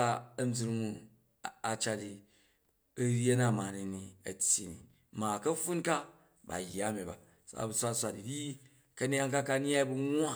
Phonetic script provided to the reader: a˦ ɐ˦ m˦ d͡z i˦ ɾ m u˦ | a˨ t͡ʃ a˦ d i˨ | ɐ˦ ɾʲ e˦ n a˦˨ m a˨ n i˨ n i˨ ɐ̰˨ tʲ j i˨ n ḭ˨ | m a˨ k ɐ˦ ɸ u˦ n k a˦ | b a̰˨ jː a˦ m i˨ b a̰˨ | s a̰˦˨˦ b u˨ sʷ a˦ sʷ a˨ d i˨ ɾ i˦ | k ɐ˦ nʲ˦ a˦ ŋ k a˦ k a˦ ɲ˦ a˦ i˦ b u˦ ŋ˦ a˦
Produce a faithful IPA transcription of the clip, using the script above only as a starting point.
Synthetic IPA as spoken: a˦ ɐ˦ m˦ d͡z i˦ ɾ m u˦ | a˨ t͡ʃ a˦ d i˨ | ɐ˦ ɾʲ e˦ n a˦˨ m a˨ n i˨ n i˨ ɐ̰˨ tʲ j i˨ n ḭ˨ | m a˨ k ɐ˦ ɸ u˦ n k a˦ | b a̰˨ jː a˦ m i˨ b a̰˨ | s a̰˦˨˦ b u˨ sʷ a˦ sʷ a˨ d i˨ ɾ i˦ | k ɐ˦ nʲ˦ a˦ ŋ k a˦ k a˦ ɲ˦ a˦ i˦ b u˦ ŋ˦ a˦